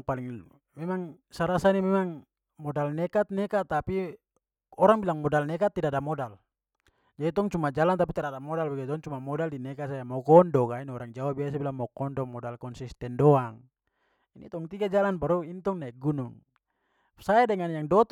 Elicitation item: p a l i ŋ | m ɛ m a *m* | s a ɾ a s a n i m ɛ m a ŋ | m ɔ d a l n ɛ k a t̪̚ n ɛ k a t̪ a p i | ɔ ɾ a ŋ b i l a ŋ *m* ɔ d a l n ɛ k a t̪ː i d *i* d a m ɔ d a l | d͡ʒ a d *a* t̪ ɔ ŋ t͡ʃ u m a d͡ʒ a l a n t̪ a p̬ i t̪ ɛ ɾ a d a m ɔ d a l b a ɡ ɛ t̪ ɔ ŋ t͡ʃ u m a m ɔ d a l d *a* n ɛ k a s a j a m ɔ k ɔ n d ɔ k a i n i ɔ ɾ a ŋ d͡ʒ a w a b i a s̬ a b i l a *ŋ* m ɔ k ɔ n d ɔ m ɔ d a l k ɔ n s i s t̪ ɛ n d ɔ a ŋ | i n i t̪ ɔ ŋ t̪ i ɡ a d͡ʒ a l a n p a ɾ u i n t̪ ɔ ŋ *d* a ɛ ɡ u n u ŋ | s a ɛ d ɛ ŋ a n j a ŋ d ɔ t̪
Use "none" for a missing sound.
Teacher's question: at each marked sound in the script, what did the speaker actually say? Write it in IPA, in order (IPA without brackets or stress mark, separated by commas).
ŋ, m, a, i, i, ŋ, n